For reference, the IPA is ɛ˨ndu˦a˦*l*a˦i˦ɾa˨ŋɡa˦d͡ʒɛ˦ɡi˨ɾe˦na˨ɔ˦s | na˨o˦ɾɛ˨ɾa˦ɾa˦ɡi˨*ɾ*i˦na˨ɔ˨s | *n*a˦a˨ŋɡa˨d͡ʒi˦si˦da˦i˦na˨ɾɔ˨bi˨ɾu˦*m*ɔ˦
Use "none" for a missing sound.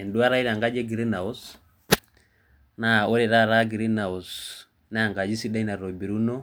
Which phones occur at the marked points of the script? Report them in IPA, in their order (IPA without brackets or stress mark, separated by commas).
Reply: ɾ, ɾ, n, n